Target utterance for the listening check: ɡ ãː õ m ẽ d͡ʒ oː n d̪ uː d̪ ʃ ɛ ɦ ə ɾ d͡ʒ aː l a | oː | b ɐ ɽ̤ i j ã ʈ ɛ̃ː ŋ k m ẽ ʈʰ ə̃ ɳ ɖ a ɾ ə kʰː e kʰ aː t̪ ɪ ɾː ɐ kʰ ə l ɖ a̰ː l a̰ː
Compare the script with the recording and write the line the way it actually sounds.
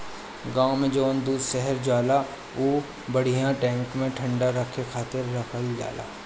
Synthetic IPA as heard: ɡ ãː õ m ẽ d͡ʒ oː n d̪ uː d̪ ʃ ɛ ɦ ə ɾ d͡ʒ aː l a | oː | b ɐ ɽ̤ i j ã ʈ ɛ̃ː ŋ k m ẽ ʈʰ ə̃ ɳ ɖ a ɾ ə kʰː e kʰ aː t̪ ɪ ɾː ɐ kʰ ə l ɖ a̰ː l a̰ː